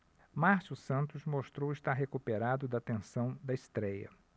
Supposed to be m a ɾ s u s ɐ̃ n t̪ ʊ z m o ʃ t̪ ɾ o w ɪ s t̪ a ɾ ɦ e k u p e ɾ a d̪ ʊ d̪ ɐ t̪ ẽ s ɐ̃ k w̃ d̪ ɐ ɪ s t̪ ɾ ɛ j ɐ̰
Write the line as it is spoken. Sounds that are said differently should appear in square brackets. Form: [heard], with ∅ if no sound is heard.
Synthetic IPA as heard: m a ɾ s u s ɐ̃ n t̪ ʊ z m o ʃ t̪ ɾ o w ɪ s t̪ a ɾ ɦ e k u p e ɾ a d̪ ʊ d̪ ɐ t̪ ẽ s ɐ̃ [∅] w̃ d̪ ɐ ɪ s t̪ ɾ ɛ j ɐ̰